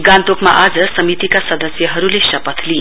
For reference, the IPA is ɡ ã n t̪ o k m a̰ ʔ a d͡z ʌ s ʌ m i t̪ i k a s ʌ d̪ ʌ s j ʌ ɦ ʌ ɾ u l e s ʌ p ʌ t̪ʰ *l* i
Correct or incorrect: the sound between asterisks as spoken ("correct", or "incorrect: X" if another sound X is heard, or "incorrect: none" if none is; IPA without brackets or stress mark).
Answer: correct